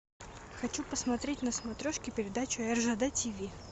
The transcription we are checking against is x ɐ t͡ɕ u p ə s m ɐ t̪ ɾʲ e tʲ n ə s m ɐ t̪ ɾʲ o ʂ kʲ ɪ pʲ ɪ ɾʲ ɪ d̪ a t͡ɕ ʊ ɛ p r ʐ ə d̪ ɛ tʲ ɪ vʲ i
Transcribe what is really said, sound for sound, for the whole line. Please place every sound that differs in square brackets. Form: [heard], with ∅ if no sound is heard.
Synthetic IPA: x ɐ t͡ɕ u p ə s m ɐ t̪ ɾʲ e tʲ n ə s m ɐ t̪ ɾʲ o ʂ kʲ ɪ pʲ ɪ ɾʲ ɪ d̪ a t͡ɕ ʊ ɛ [∅] r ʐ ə d̪ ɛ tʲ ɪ vʲ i